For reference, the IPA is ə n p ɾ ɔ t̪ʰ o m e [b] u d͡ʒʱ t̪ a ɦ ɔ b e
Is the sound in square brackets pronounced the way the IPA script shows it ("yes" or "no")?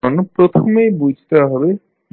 yes